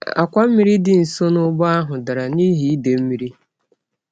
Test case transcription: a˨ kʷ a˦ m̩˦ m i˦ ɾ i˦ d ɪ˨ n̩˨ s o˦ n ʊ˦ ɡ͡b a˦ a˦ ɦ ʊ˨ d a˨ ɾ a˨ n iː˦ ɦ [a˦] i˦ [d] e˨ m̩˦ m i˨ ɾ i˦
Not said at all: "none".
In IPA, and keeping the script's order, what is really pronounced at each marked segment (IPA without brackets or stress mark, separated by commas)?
i˦, d